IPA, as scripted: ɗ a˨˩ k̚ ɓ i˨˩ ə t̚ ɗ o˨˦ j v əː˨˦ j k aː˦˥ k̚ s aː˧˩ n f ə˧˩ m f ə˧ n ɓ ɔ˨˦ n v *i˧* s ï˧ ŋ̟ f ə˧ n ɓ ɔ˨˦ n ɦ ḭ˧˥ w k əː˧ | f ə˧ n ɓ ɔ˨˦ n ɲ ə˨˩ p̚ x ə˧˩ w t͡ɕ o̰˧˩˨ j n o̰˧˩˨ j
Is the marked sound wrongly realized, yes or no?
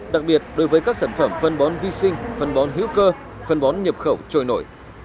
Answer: no